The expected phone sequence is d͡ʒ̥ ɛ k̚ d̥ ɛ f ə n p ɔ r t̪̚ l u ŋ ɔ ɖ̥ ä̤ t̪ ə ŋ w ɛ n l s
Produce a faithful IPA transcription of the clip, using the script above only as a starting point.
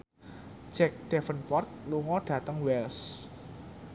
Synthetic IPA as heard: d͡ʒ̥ ɛ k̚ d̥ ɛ f ə n p ɔ r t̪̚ l u ŋ ɔ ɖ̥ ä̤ t̪ ə ŋ w ɛ l s